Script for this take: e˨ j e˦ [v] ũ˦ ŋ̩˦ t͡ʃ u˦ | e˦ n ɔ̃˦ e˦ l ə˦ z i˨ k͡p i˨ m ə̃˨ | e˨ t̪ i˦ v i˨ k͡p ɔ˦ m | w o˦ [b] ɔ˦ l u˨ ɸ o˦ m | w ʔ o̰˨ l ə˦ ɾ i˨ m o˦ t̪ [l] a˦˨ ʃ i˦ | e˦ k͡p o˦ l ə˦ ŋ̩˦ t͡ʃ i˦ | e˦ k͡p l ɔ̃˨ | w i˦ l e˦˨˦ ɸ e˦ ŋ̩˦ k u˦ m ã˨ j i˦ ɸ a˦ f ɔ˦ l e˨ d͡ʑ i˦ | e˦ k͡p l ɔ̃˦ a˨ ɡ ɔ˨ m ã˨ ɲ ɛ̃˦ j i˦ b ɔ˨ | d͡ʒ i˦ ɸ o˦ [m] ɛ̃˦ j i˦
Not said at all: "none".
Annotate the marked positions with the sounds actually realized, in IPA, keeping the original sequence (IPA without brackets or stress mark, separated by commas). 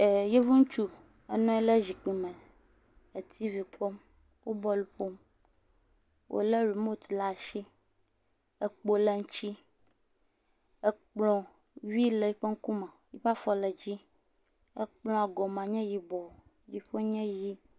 v, b, l, ɲ